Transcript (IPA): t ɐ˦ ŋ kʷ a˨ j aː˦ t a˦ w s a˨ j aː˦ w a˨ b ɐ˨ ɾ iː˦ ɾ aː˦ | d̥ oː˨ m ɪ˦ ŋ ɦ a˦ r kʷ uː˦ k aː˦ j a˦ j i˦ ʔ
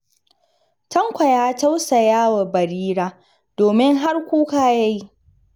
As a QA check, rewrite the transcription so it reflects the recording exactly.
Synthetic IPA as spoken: t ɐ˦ ŋ kʷ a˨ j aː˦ t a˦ w s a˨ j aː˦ w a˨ b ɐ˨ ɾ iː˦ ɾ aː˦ | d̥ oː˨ m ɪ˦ ŋ ɦ a˦ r kʷ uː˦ k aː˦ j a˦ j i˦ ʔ